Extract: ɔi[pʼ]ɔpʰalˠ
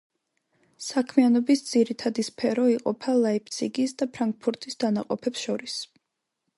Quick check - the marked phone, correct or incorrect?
incorrect: qʼ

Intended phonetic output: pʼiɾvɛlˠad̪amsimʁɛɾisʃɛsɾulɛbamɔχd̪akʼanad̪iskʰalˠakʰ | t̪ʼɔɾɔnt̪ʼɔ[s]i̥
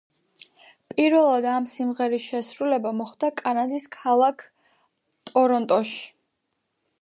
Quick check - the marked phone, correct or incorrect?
incorrect: ʃ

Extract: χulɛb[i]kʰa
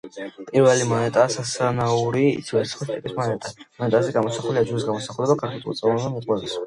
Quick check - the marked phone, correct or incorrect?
incorrect: a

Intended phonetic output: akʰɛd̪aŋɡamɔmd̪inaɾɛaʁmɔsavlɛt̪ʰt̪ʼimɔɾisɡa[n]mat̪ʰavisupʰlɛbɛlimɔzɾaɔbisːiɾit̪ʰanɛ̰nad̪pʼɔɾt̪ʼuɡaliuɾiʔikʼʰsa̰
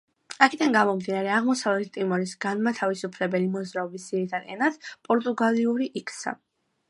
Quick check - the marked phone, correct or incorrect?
correct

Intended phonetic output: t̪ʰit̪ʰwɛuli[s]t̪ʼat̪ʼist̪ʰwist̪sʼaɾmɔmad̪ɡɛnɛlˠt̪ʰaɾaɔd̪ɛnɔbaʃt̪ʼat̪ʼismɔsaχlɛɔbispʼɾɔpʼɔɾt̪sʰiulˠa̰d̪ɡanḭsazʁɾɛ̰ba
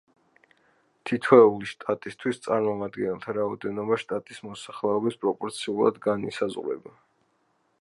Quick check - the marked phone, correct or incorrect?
incorrect: ʃ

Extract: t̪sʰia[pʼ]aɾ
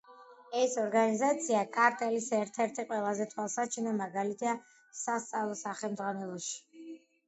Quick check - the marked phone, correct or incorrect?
incorrect: kʼ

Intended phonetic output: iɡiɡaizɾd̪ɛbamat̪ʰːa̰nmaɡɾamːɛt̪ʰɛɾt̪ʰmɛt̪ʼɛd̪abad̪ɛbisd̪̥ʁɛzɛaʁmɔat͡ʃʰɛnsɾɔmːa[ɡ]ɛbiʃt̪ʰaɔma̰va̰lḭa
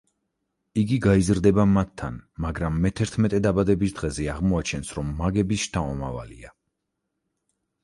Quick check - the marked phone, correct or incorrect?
correct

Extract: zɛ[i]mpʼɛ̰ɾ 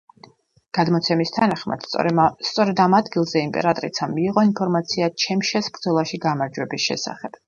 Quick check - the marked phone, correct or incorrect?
correct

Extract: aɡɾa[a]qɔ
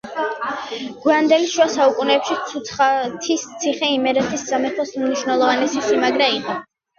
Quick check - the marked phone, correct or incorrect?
incorrect: i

